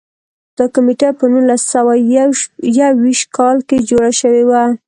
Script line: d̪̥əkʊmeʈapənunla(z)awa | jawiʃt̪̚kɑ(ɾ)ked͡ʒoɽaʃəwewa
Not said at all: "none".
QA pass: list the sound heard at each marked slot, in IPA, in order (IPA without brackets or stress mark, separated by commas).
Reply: s, l